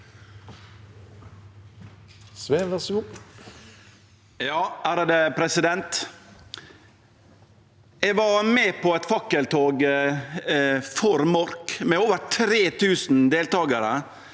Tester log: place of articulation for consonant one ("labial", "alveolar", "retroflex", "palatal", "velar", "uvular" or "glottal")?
alveolar